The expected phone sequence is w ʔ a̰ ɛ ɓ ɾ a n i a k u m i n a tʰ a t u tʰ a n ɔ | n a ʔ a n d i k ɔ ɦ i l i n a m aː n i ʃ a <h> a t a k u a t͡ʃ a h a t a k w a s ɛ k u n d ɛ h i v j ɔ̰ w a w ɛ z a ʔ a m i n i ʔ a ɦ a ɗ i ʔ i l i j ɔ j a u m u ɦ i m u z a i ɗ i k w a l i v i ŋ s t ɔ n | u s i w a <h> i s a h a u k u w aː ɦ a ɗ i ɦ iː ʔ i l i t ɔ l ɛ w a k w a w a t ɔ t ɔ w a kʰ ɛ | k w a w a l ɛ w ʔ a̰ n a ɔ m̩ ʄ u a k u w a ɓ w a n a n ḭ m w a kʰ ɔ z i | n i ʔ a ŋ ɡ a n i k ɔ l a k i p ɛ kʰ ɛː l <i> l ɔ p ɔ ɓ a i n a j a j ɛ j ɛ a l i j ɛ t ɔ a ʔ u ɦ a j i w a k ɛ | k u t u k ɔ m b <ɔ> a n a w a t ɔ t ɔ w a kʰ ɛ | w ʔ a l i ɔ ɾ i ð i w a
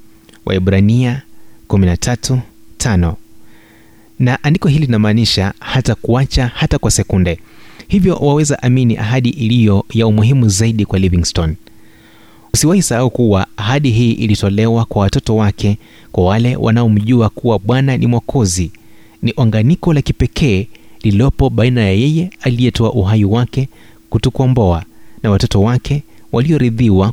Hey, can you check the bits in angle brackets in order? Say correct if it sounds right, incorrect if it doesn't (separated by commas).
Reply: correct, correct, correct, correct